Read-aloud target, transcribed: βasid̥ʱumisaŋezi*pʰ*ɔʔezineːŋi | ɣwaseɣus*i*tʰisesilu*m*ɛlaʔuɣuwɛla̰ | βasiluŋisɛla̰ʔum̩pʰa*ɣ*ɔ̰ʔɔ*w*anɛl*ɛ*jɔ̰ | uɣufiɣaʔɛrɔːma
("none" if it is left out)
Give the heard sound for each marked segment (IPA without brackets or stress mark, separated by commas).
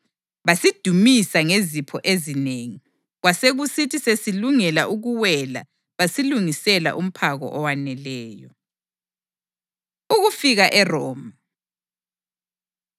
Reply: pʰ, i, ŋ, ɣ, w, ɛː